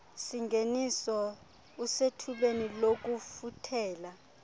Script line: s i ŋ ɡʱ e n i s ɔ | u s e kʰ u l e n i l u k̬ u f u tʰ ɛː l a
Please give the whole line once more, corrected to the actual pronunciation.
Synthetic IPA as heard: s i ŋ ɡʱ e n i s ɔ | u s e tʰ u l e n i l o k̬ u f u tʰ ɛː l a